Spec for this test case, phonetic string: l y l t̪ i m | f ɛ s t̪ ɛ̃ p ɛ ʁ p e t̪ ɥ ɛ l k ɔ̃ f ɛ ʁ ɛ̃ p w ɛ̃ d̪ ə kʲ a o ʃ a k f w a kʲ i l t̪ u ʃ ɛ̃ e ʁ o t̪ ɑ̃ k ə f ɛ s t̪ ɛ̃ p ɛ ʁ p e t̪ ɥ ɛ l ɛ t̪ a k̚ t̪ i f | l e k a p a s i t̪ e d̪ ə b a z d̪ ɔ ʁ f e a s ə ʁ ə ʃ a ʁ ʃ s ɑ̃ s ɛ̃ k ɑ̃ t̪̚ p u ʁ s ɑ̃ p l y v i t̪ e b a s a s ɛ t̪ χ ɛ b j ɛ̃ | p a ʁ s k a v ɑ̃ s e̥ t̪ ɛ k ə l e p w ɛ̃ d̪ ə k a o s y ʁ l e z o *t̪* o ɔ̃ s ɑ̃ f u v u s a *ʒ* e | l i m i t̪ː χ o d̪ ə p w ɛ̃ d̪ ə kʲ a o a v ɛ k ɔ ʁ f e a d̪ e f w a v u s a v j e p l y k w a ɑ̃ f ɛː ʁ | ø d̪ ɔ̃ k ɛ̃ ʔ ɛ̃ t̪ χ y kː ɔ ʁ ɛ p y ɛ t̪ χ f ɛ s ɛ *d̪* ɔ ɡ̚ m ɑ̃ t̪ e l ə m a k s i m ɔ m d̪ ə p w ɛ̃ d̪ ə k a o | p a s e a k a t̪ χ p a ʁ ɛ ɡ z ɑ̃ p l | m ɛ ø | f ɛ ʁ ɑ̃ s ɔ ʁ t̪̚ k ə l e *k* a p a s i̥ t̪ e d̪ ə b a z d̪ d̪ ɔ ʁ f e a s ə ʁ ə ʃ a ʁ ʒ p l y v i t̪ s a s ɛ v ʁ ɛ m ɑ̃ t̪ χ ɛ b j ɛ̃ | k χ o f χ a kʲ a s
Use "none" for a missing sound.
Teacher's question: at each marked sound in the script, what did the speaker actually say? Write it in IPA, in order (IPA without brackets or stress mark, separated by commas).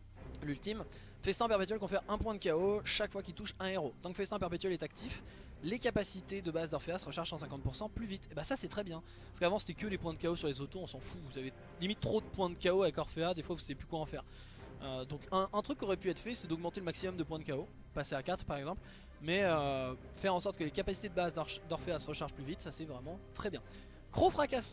t̪, v, d̪, k